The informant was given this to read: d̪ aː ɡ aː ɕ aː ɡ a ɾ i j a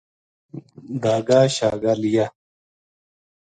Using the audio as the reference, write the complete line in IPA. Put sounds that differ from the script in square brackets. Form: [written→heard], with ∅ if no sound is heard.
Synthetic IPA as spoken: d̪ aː ɡ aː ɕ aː ɡ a [ɾ→l] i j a